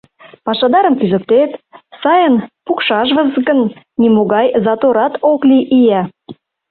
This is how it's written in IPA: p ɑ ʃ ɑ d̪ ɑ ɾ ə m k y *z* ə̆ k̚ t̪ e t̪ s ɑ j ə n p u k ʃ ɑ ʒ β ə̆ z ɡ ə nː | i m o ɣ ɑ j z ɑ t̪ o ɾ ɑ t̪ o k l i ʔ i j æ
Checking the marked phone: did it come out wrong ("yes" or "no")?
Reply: no